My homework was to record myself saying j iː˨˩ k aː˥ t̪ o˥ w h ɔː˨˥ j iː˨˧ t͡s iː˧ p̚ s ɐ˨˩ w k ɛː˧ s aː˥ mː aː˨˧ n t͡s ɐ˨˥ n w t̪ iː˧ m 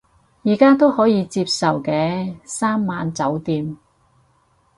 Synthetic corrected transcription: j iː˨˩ k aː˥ t̪ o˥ w h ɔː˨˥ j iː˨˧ t͡s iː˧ p̚ s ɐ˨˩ w k ɛː˧ s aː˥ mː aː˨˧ n t͡s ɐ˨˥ w t̪ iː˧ m